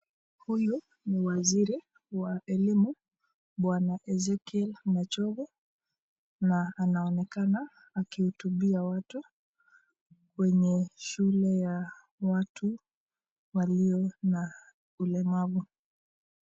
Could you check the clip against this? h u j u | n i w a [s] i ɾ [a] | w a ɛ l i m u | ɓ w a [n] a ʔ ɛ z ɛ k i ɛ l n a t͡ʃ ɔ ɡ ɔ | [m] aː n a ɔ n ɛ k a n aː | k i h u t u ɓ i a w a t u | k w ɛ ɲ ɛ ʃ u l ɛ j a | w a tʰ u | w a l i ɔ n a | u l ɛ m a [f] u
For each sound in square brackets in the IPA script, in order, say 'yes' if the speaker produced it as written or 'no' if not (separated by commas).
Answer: no, no, yes, no, no